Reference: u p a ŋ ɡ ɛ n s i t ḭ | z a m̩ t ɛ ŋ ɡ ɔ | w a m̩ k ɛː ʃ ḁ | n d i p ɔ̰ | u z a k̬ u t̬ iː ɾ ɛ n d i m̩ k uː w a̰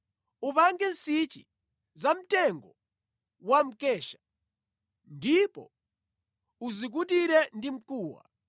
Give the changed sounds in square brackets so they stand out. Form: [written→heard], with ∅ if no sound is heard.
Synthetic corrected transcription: u p a ŋ ɡ ɛ n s i [t→t͡ʃ] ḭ | z a m̩ t ɛ ŋ ɡ ɔ | w a m̩ k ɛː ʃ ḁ | n d i p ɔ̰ | u z [a→i] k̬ u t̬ [iː→i] ɾ ɛ n d i m̩ k uː w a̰